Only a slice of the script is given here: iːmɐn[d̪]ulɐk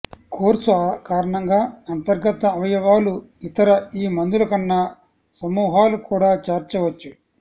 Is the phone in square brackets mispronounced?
no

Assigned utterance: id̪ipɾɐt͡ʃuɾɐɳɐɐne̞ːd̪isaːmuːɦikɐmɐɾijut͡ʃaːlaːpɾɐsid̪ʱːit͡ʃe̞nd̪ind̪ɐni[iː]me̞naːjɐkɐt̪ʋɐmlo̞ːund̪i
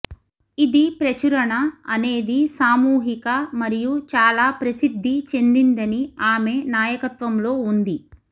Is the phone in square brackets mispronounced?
yes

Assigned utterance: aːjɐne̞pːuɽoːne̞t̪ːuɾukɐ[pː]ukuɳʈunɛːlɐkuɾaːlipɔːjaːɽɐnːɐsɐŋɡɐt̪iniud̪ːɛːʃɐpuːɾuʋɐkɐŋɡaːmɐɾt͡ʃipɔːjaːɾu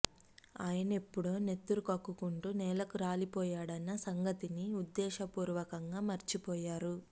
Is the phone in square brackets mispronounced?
yes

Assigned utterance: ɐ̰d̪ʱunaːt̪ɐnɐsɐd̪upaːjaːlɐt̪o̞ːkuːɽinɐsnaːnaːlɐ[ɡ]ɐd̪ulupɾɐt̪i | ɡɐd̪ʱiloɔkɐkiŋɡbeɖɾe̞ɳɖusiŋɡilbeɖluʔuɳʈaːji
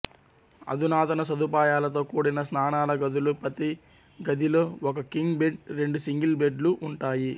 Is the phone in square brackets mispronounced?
no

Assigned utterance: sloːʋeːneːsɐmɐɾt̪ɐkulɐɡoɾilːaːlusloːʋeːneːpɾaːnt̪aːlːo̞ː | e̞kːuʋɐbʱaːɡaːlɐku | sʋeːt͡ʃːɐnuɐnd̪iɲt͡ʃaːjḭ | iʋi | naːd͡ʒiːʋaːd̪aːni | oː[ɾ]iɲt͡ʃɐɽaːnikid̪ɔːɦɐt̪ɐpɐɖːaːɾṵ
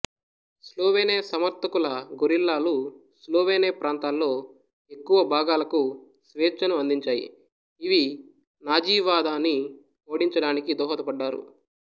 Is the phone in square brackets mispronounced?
yes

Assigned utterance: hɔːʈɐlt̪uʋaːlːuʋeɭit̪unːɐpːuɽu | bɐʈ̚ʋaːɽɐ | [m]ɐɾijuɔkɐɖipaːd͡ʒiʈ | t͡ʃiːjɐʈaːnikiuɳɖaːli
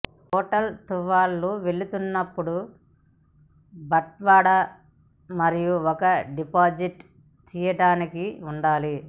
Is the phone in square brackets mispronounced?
no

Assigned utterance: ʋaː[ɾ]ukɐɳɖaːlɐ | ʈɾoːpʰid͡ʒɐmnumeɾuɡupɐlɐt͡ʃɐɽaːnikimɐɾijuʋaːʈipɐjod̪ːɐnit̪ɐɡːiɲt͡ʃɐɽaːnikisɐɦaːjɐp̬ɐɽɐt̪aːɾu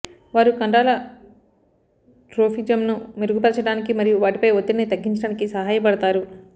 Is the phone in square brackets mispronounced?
no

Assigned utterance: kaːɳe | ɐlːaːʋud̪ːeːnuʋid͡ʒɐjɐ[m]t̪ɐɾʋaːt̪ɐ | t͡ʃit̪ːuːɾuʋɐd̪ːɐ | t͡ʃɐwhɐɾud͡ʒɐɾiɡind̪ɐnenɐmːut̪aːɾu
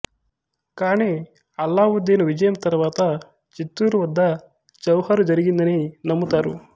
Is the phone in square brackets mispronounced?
no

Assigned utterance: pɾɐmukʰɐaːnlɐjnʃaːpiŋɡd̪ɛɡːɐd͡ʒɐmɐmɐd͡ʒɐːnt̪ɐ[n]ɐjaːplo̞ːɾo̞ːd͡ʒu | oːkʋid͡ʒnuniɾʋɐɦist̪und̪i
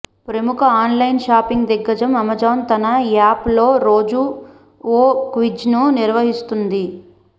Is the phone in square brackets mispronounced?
no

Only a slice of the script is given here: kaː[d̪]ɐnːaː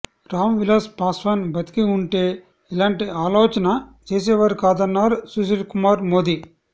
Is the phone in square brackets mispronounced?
no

